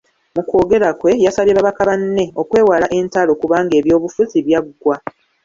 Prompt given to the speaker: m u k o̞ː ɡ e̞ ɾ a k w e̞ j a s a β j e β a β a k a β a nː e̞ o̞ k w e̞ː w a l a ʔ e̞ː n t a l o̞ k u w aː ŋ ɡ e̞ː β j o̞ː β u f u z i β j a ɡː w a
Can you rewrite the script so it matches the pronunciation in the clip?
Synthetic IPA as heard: m u k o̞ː ɡ e̞ ɾ a k w e̞ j a s a β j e β a β a k a β a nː e̞ o̞ k w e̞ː w a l a ʔ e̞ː n t a l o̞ k u β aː ŋ ɡ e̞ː β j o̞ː β u f u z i β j a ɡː w a